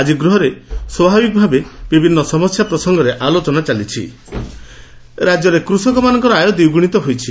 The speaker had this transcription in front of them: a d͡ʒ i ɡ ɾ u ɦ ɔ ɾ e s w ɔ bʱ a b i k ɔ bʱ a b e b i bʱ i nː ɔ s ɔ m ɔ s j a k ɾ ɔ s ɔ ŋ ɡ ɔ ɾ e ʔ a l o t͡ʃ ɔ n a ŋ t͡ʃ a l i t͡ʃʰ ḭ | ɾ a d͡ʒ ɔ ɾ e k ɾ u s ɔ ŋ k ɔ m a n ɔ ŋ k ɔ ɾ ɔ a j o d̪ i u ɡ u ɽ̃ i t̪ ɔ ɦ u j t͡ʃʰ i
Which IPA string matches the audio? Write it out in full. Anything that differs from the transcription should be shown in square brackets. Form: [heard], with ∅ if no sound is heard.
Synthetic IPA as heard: a d͡ʒ i ɡ ɾ u ɦ ɔ ɾ e s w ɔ bʱ a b i k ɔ bʱ a b e b i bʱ i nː ɔ s ɔ m ɔ s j a [p] ɾ ɔ s ɔ ŋ ɡ ɔ ɾ e ʔ a l o t͡ʃ ɔ n a [∅] t͡ʃ a l i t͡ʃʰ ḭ | ɾ a d͡ʒ ɔ ɾ e k ɾ u s ɔ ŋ k ɔ m a n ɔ ŋ k ɔ ɾ ɔ a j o d̪ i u ɡ u ɽ̃ i t̪ ɔ ɦ [o] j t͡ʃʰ i